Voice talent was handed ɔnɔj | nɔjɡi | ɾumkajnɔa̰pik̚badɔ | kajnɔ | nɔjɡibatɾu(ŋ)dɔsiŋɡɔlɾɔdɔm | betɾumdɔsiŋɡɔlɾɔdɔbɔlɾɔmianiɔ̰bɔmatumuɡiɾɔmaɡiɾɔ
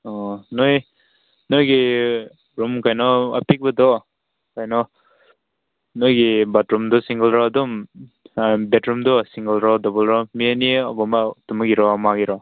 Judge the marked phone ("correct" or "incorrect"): incorrect